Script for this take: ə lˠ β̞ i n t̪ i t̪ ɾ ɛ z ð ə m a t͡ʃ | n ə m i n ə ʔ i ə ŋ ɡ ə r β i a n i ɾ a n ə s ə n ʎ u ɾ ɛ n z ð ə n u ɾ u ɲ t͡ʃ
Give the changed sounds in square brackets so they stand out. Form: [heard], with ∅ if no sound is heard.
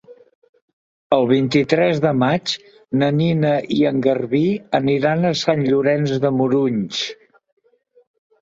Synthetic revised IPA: ə lˠ β̞ i n t̪ i t̪ ɾ ɛ z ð ə m a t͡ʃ | n ə [n] i n ə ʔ i ə ŋ ɡ ə r β i [ə] n i ɾ a n ə s [a] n ʎ u ɾ ɛ n z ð ə [m] u ɾ u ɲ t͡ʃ